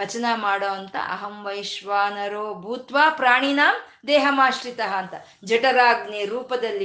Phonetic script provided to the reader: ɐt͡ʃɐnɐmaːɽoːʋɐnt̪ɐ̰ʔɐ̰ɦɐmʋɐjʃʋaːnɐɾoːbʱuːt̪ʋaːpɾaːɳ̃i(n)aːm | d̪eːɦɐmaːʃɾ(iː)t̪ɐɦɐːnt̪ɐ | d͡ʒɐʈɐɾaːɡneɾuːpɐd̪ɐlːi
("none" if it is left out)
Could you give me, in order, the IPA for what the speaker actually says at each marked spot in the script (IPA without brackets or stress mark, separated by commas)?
n, i